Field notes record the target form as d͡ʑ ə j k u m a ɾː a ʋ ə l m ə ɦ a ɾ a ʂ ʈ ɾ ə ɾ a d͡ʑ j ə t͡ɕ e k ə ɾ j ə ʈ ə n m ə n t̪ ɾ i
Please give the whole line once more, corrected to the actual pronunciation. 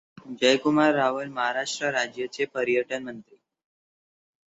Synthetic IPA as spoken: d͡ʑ ə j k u m a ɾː a ʋ ə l m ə ɦ a ɾ a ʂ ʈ ɾ ə ɾ a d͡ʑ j ə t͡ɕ e p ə ɾ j ə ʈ ə n m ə n t̪ ɾ i

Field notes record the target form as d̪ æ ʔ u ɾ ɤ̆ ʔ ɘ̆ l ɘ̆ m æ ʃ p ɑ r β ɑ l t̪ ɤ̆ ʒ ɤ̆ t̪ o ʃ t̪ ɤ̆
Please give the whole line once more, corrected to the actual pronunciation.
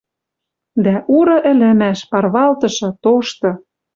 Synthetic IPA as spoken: d̪ æ ʔ u ɾ ɤ̆ ʔ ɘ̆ l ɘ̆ m æ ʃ p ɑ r β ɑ l t̪ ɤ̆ ʃ ɤ̆ t̪ o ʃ t̪ ɤ̆

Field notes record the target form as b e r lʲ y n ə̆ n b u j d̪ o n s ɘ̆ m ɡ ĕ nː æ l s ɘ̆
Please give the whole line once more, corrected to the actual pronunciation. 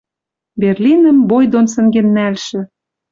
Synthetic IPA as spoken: b e r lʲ i n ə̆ m b o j d̪ o n s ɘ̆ ŋ ɡ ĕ nː æ l ʃ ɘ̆

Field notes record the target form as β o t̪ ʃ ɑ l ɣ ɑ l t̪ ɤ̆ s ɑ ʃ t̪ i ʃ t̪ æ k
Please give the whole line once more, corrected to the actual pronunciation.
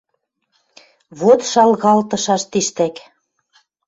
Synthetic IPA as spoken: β o t̪ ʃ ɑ l ɣ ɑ l t̪ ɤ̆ ʃ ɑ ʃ t̪ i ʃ t̪ æ k

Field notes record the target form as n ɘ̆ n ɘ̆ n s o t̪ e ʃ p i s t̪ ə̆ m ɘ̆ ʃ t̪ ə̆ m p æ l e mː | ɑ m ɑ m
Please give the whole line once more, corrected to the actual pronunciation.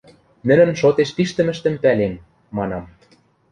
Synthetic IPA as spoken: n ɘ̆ n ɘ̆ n ʃ o t̪ e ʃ p i ʃ t̪ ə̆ m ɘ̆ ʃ t̪ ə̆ m p æ l e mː | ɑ n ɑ m

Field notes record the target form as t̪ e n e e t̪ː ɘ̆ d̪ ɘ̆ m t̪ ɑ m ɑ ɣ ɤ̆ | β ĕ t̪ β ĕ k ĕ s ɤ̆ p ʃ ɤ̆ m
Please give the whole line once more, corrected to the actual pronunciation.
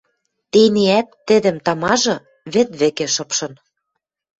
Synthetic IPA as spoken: t̪ e n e æ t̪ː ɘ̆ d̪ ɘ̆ m t̪ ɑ m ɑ ʒ ɤ̆ | β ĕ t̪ β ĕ k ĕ ʃ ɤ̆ p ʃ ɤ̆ n

